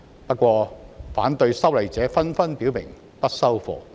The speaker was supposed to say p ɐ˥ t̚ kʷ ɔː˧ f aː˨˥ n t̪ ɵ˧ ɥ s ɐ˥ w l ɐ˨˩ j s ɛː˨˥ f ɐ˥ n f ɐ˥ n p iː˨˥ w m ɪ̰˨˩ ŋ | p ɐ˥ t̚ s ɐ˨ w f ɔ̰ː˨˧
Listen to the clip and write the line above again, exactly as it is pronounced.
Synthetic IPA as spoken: p ɐ˥ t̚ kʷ ɔː˧ f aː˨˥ n t̪ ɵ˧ ɥ s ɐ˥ w l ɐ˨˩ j t͡s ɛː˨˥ f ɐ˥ n f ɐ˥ n p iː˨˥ w m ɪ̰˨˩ ŋ | p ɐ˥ t̚ s ɐ˥ w f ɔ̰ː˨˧